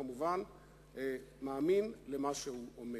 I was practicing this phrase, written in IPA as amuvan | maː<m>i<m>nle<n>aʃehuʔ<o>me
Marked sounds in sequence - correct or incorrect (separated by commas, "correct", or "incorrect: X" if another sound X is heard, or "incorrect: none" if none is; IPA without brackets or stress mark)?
correct, incorrect: none, incorrect: m, correct